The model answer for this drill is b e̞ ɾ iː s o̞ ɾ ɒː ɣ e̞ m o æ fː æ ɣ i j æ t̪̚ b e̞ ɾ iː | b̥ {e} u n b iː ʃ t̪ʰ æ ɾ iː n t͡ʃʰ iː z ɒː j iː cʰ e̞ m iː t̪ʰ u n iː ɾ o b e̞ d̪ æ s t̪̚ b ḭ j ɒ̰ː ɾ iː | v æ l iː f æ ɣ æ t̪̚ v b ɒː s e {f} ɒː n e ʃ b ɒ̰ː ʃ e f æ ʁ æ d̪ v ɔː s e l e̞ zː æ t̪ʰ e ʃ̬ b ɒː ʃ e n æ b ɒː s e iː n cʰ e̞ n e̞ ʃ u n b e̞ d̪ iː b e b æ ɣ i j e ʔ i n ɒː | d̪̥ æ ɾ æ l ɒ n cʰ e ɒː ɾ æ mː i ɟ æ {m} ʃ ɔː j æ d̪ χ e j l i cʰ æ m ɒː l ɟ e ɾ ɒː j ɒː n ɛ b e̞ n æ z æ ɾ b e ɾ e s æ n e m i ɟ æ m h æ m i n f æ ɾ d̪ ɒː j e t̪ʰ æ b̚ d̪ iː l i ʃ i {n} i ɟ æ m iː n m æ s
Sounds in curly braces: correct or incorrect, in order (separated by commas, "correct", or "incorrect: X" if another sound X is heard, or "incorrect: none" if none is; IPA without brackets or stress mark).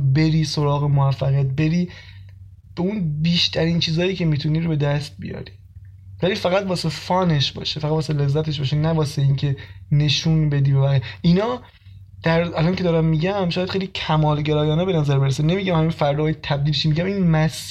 correct, correct, correct, incorrect: m